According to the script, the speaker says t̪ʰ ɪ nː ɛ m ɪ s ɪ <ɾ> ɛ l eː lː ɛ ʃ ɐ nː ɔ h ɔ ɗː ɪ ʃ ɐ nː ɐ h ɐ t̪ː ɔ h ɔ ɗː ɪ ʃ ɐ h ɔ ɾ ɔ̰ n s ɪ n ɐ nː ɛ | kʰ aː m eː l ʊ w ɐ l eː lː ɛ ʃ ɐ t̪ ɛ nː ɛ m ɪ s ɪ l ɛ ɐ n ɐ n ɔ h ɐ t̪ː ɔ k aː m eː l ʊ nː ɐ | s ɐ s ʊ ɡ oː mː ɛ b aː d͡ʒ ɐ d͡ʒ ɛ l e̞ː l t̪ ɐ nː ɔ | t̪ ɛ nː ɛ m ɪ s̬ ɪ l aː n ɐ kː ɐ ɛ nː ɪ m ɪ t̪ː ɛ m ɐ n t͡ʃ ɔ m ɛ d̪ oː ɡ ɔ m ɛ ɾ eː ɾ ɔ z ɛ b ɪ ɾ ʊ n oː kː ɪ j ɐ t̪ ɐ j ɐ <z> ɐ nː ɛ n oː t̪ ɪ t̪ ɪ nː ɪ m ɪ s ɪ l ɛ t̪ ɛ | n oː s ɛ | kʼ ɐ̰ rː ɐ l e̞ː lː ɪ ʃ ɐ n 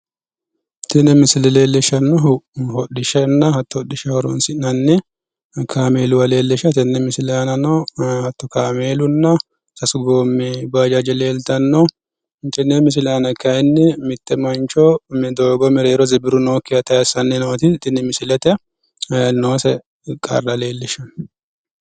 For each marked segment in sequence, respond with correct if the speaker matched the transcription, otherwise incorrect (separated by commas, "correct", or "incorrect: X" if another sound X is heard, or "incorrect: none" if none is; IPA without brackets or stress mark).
incorrect: l, incorrect: s